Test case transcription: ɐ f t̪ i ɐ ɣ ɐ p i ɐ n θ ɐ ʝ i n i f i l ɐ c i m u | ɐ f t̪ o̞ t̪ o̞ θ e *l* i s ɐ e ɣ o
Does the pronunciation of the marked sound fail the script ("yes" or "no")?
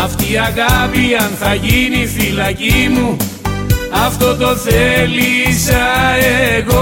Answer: no